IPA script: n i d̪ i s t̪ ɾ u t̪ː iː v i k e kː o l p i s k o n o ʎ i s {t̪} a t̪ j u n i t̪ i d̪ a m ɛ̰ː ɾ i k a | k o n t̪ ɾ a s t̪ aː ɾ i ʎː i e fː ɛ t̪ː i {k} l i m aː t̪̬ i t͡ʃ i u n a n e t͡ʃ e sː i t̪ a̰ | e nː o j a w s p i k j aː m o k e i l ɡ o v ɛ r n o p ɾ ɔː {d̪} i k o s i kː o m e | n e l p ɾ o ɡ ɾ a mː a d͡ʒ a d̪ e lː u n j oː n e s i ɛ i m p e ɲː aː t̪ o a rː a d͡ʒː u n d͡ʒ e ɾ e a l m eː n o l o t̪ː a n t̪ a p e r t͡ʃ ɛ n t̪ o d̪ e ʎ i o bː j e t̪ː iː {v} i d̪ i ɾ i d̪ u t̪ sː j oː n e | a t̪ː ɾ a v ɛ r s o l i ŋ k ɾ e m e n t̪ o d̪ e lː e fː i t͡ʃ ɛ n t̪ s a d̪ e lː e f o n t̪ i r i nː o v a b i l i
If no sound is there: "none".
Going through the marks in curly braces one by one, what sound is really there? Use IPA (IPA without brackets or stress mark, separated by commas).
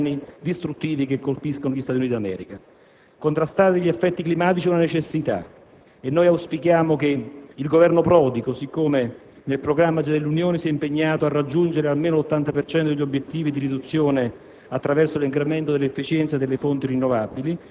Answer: t̪, k, d̪, v